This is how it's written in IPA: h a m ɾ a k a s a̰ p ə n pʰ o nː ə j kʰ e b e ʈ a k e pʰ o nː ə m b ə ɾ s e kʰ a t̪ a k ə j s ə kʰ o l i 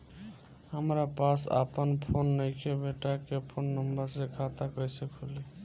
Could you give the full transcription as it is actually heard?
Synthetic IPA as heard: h ə m ɾ a p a s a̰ p ə n pʰ o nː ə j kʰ e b e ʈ a k e pʰ o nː ə m b ə ɾ s e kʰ a t̪ a k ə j s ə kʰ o l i